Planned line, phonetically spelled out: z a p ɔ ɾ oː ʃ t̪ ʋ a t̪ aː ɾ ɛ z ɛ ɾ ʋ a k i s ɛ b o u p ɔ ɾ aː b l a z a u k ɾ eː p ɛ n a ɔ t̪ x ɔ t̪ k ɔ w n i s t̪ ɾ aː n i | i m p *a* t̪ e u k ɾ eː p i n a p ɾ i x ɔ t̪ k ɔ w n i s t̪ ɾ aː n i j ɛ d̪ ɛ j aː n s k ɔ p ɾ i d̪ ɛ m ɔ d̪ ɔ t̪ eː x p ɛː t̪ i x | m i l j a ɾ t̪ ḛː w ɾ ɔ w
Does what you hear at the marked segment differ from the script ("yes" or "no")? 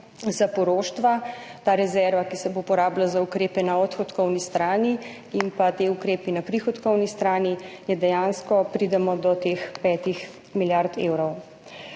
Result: no